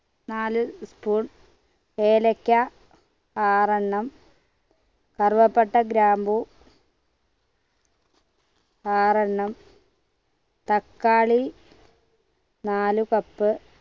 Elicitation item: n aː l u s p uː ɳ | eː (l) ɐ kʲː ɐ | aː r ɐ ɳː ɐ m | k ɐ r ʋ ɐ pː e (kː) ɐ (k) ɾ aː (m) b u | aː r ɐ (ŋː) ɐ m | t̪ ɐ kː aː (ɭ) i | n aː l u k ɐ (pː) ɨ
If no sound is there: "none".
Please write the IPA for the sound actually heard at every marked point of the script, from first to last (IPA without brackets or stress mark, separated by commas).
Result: l, ʈː, ɡ, m, ɳː, ɭ, pː